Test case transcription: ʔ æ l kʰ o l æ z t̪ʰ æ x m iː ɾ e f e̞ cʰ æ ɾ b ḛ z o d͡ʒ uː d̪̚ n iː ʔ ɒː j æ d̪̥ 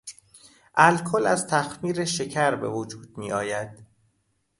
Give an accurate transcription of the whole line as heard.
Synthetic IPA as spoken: ʔ æ l kʰ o l æ z t̪ʰ æ x m iː ɾ e ʃ e̞ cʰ æ ɾ b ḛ v o d͡ʒ uː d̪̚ m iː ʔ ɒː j æ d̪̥